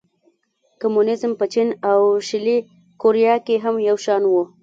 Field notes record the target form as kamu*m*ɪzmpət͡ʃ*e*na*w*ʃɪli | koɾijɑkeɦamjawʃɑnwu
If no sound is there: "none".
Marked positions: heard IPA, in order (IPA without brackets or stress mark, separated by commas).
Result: n, i, w